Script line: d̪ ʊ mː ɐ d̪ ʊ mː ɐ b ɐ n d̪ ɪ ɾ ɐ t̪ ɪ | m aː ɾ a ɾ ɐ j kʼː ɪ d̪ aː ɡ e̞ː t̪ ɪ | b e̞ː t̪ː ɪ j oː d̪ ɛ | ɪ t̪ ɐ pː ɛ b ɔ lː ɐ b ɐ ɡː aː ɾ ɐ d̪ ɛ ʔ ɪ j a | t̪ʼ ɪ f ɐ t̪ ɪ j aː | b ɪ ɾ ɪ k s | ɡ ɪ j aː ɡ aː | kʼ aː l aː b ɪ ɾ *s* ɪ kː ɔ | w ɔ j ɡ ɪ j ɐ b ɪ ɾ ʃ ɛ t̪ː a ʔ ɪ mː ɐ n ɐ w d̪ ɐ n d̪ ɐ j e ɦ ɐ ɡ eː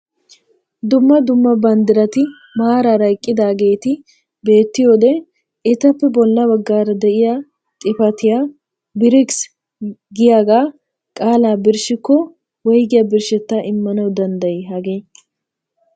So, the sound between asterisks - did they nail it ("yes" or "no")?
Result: no